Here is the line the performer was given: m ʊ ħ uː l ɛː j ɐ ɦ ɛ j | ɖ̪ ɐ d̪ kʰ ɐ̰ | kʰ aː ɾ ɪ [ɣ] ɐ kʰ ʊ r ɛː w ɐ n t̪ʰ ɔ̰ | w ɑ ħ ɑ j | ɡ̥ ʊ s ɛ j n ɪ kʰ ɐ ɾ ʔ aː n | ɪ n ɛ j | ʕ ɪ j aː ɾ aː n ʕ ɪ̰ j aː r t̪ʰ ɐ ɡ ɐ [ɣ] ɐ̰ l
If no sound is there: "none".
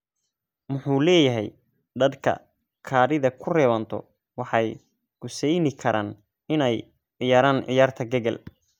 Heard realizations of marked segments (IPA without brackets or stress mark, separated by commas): ð, ɣ